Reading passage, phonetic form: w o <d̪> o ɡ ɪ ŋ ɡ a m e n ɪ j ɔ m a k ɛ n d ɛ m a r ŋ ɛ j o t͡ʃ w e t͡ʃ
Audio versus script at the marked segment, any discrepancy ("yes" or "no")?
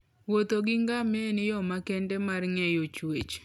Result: yes